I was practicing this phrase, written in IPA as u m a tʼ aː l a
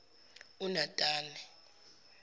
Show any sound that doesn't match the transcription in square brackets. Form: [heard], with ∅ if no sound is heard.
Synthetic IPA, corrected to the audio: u [n] a tʼ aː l [ɛ]